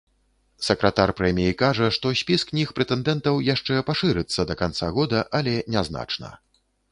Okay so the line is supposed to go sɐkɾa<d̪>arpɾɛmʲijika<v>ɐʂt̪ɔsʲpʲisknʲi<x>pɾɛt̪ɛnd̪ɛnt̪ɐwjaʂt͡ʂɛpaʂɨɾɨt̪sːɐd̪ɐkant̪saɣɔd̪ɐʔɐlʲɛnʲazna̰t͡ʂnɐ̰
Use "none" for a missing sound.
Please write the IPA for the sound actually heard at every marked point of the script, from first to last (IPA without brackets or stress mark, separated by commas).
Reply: t̪, ʐ, x